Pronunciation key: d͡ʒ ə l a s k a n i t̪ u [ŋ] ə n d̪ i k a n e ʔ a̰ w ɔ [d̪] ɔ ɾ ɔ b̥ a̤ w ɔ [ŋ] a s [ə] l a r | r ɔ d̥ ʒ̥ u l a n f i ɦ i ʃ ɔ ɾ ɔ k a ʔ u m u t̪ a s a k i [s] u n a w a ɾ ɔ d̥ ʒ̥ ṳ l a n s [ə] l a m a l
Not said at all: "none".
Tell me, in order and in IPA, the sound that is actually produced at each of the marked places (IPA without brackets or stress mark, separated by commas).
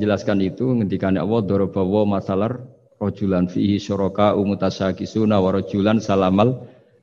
ŋ, d̪, m, a, s, a